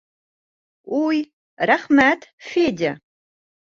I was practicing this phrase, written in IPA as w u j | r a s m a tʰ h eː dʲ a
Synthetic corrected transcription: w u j | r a χ m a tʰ f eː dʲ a